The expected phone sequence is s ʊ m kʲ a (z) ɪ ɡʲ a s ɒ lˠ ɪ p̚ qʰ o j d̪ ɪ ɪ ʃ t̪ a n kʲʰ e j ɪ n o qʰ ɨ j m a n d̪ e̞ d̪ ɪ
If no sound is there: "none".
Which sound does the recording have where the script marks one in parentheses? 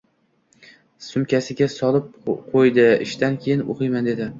s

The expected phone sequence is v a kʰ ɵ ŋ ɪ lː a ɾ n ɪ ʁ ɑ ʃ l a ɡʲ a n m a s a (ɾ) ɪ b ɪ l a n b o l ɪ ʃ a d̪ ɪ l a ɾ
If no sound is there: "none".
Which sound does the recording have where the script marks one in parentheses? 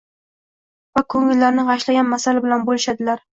l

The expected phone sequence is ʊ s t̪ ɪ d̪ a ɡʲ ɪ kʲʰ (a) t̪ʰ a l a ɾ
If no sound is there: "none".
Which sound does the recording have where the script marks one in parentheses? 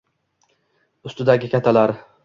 a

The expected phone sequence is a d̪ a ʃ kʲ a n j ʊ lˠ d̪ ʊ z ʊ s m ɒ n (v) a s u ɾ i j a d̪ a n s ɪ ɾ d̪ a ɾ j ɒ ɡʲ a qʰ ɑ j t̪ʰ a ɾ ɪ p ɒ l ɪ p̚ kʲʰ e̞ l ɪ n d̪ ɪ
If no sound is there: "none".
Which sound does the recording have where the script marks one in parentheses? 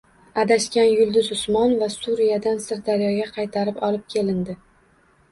v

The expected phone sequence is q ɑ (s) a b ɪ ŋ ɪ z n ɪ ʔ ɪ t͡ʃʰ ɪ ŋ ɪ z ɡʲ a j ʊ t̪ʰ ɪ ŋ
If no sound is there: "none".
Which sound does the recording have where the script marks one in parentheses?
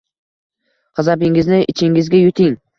z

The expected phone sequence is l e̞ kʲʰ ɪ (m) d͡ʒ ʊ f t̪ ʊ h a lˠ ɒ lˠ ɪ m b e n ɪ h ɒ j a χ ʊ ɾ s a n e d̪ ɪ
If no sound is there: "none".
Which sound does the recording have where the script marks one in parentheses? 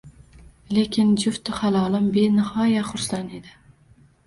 n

